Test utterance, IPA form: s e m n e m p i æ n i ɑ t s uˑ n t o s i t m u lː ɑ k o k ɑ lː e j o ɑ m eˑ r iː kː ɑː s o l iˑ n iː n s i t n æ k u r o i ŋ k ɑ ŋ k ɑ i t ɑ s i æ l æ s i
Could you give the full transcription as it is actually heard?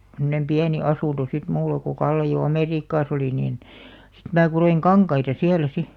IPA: s e m n e m p i æ n i ɑ s uˑ n t o s i t m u lː ɑ k o k ɑ lː e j o ɑ m eˑ r iː kː ɑː s o l iˑ n iː n s i t m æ k u r o i ŋ k ɑ ŋ k ɑ i t ɑ s i æ l æ s i